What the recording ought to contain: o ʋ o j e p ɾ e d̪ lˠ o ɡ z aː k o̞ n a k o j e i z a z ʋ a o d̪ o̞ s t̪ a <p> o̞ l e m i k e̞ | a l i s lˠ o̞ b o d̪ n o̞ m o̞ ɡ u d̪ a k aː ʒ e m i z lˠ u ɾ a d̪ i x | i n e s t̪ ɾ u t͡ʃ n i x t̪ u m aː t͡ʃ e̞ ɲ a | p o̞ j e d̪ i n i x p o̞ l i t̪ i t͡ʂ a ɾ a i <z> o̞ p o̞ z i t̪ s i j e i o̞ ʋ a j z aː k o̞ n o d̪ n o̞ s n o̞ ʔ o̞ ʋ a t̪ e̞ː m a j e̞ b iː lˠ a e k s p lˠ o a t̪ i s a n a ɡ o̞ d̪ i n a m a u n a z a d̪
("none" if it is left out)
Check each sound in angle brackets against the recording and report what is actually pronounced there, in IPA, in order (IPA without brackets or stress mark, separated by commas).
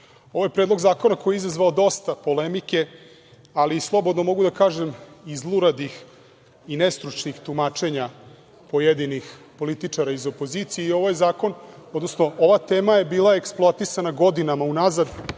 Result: p, z